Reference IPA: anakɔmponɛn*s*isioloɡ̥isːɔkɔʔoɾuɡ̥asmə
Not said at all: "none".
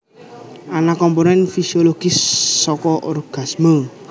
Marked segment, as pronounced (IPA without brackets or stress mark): f